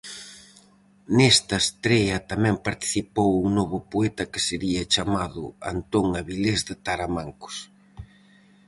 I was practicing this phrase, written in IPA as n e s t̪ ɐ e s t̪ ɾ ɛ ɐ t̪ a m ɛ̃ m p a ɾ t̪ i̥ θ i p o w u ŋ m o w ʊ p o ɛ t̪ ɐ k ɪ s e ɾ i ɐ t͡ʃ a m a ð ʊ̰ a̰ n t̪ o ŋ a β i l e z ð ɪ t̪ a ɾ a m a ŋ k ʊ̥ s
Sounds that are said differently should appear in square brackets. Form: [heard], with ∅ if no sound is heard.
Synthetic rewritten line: n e s t̪ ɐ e s t̪ ɾ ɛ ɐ t̪ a m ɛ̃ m p a ɾ t̪ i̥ θ i p o w u ŋ [n] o [β] ʊ p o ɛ t̪ ɐ k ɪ s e ɾ i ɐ t͡ʃ a m a ð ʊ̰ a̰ n t̪ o ŋ a β i l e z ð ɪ t̪ a ɾ a m a ŋ k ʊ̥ s